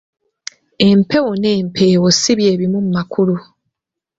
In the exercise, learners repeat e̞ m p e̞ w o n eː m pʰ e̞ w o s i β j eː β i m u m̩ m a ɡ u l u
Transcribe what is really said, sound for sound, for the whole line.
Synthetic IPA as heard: e̞ m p e̞ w o n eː m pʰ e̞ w o s i β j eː β i m u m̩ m a k u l u